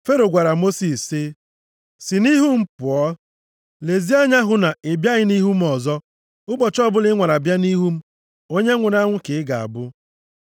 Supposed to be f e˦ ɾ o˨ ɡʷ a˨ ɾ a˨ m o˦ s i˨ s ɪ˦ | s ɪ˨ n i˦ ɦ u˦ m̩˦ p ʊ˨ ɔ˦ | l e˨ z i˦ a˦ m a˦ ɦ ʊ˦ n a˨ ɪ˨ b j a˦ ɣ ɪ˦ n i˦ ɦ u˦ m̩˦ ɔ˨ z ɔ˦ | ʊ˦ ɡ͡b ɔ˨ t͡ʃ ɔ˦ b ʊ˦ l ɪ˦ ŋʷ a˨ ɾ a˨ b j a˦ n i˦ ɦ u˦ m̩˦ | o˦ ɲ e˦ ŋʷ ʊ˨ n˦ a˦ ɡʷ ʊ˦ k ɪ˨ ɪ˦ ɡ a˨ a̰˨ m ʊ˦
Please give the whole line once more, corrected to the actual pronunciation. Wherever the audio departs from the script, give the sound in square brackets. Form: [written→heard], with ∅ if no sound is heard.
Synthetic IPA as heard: f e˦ ɾ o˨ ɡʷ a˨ ɾ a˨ m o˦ s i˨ s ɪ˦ | s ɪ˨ n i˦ ɦ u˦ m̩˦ p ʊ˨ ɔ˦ | l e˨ z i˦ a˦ [m→ɲ] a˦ ɦ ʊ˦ n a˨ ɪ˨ b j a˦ ɣ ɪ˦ n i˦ ɦ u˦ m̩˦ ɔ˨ z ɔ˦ | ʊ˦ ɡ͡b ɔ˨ t͡ʃ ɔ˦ b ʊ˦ l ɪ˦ ŋʷ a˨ ɾ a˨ b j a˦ n i˦ ɦ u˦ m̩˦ | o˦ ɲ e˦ ŋʷ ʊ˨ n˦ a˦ [ɡʷ→ŋʷ] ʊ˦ k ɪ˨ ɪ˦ ɡ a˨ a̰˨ [m→b] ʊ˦